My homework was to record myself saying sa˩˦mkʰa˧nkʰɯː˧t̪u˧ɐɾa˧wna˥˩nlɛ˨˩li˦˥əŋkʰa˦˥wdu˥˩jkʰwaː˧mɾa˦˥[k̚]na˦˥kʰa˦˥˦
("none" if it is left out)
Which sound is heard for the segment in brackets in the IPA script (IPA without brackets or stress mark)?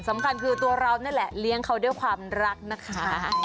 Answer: k̚